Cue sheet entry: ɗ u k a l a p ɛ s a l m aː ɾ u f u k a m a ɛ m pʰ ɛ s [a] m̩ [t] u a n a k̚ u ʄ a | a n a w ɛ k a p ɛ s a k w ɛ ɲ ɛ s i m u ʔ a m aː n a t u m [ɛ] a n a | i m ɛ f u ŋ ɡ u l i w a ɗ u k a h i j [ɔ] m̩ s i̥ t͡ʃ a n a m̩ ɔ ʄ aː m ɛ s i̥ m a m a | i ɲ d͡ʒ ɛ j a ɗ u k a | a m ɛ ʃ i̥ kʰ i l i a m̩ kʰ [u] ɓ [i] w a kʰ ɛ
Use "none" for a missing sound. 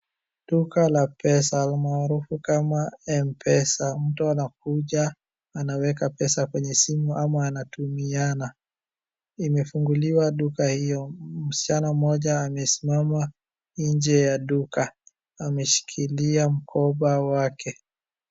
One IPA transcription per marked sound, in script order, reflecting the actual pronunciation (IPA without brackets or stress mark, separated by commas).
a, t, i, ɔ, ɔ, a